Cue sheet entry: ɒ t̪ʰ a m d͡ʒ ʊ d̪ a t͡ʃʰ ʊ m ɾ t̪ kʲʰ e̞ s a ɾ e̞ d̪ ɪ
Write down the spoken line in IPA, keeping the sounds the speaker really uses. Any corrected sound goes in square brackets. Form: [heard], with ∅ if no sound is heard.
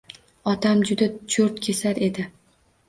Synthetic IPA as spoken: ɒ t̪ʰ a m d͡ʒ ʊ d̪ a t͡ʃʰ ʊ [∅] ɾ t̪ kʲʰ e̞ s a ɾ e̞ d̪ ɪ